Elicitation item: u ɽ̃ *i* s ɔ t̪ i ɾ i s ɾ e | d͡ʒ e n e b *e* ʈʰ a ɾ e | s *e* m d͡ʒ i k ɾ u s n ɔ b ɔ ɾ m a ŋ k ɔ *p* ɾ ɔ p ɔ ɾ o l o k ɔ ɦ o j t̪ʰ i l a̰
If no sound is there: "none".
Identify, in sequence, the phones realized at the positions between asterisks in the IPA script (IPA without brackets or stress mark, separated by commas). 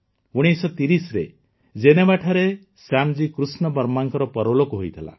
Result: i, a, a, none